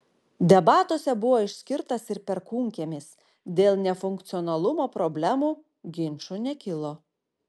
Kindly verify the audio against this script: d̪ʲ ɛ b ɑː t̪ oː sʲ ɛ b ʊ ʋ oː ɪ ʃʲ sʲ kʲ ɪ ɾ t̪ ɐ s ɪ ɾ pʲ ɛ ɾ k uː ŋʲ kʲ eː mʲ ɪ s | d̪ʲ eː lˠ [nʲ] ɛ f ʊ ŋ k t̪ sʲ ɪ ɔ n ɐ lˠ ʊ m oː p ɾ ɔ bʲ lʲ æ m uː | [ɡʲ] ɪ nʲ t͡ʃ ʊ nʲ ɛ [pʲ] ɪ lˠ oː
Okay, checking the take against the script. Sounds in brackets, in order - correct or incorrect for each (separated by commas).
correct, correct, incorrect